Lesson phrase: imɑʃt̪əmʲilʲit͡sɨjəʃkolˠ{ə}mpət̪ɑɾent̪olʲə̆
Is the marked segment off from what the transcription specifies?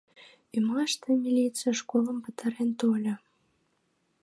no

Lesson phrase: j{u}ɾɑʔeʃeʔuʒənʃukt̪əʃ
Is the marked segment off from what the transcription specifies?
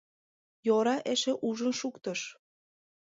yes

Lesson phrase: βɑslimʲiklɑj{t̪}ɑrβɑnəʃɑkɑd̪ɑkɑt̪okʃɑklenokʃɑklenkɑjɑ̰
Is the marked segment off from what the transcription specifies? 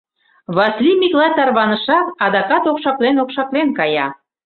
no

